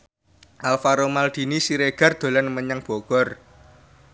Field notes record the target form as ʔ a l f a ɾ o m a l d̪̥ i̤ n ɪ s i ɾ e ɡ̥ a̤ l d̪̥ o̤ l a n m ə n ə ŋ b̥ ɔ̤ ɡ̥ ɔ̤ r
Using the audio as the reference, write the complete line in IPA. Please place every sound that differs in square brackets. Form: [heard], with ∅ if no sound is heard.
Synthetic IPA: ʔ a l f a ɾ o m a l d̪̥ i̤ n [i] s i ɾ e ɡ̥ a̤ [r] d̪̥ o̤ l a n m ə [ɲ] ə ŋ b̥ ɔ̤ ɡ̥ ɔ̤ r